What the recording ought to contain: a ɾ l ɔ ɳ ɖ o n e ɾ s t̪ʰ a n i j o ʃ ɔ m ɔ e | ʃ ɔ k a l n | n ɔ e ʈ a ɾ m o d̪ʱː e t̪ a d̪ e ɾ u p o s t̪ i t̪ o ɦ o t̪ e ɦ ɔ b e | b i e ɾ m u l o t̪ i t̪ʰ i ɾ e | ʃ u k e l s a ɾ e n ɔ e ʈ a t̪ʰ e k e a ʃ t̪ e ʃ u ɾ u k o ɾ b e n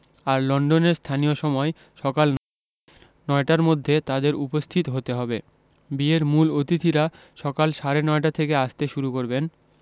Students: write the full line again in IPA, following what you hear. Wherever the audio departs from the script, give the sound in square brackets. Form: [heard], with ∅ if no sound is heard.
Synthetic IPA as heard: a ɾ l ɔ ɳ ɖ o n e ɾ s t̪ʰ a n i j o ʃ ɔ m ɔ e | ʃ ɔ k a l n | n ɔ e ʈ a ɾ m o d̪ʱː e t̪ a d̪ e ɾ u p o s [t̪ʰ] i t̪ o ɦ o t̪ e ɦ ɔ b e | b i e ɾ m u l o t̪ i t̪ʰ i ɾ [a] | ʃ [ɔ] k [a] l [ʃ] a ɾ e n ɔ e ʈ a t̪ʰ e k e a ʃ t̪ e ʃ u ɾ u k o ɾ b e n